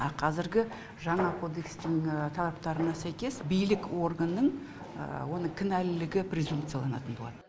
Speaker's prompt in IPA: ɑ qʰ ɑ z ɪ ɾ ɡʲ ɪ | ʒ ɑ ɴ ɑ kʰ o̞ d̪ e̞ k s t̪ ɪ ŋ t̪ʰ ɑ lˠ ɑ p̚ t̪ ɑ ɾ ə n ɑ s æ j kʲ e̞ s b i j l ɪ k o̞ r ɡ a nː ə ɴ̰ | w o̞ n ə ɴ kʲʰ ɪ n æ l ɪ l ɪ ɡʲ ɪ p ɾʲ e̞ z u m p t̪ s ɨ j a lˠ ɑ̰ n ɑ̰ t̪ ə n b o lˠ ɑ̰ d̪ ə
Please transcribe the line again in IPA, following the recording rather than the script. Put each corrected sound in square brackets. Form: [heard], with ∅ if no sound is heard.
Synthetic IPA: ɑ qʰ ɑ z ɪ ɾ ɡʲ ɪ | ʒ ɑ ɴ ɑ kʰ o̞ d̪ e̞ k s t̪ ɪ ŋ t̪ʰ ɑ lˠ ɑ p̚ t̪ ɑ ɾ ə n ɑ s æ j kʲ e̞ s b i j l ɪ k o̞ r ɡ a nː ə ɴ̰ | w o̞ n ə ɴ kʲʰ ɪ n æ l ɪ l ɪ ɡʲ ɪ p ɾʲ e̞ z u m p t̪ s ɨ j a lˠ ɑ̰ n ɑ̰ t̪ ə n b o lˠ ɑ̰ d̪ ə